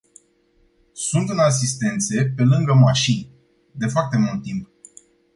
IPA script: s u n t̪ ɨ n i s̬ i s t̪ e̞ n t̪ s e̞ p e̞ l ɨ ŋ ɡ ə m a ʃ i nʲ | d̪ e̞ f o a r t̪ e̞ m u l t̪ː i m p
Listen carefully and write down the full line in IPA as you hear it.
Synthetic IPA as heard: s u n t̪ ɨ n a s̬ i s t̪ e̞ n t̪ s e̞ p e̞ l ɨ ŋ ɡ ə m a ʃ i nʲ | d̪ e̞ f o a r t̪ e̞ m u l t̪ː i m p